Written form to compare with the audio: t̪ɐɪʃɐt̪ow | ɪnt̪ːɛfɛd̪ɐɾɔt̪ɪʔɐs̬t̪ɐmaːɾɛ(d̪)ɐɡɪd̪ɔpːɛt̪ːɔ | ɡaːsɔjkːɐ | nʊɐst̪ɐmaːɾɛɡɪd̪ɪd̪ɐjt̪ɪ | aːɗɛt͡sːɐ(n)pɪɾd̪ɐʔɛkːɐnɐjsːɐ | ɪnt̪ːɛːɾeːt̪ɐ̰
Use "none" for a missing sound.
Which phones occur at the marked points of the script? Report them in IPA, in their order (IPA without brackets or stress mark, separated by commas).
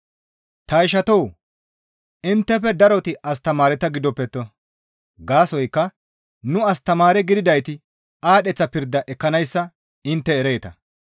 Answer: t̪, none